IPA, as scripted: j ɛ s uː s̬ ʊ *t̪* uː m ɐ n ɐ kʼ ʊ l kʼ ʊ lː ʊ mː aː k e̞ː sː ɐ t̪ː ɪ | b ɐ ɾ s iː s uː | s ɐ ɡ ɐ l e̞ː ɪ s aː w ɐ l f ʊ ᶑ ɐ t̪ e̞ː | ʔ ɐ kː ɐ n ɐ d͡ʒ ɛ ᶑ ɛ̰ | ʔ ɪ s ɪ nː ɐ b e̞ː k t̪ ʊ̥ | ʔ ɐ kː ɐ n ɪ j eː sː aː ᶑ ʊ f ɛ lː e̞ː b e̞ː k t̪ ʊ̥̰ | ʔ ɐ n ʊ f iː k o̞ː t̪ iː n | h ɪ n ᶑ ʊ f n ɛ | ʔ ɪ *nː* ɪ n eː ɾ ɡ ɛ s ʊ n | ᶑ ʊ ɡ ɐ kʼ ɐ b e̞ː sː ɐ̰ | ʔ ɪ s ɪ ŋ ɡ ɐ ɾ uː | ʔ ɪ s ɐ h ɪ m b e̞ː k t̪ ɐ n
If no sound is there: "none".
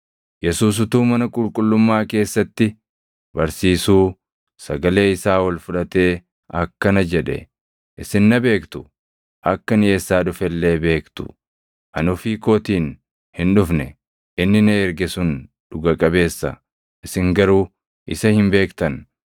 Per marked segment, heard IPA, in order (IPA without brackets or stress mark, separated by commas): t̪, nː